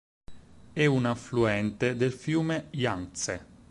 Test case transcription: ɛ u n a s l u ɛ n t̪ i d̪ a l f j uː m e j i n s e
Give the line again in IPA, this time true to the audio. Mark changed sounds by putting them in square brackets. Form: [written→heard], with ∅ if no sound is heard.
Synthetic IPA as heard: ɛ u n a [s→f] l u ɛ n t̪ [i→e] d̪ [a→e] l f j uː m e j [i→a] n s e